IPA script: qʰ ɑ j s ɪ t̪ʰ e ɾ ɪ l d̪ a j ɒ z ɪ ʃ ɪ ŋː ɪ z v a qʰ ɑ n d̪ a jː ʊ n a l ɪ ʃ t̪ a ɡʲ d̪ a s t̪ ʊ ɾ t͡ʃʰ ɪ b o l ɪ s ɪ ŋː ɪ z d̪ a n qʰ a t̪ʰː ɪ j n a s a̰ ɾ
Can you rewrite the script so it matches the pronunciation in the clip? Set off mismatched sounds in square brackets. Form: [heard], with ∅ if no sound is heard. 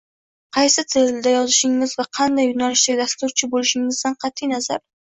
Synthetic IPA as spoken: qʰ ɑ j s ɪ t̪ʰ e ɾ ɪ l d̪ a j ɒ z ɪ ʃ ɪ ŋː ɪ z v a qʰ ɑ n d̪ a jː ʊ n a l ɪ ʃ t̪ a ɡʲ d̪ a s t̪ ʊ ɾ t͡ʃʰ ɪ b o l ɪ [ʃ] ɪ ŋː ɪ z d̪ a n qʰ [ɑ] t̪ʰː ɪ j n a [z] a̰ ɾ